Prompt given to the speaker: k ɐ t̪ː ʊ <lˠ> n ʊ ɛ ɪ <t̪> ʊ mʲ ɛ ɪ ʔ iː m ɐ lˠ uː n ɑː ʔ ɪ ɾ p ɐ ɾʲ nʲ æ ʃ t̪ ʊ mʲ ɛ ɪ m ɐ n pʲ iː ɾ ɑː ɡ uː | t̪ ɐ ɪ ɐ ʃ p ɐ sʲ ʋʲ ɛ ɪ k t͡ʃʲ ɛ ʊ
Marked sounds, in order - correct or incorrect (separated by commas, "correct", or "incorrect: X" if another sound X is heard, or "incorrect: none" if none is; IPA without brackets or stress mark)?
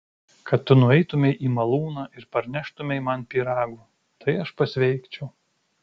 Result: incorrect: none, correct